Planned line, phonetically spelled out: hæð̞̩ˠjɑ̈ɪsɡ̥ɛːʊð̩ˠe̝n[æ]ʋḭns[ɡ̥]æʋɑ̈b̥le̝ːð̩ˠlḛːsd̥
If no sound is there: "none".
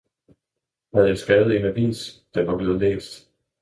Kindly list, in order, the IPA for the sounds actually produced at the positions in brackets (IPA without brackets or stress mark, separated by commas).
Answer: æ, d̥